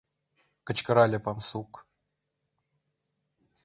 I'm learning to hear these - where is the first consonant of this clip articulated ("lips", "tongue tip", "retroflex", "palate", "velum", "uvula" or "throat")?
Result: velum